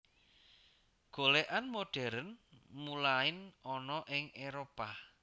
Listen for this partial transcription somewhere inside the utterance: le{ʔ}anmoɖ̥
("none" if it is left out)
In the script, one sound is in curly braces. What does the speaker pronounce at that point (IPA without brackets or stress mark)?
ʔ